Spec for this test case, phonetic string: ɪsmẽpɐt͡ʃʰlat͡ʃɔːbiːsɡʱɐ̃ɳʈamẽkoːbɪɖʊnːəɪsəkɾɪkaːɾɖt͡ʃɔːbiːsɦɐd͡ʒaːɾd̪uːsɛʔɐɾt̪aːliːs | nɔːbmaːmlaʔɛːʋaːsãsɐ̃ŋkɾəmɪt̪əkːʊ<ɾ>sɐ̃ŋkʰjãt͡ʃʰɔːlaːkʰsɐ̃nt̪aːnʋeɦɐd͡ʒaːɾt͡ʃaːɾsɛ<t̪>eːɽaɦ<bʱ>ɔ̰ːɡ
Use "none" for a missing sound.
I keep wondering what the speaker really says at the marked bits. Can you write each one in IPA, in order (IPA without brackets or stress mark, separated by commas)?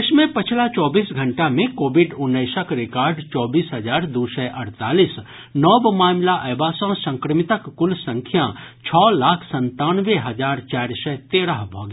l, t̪, bʱ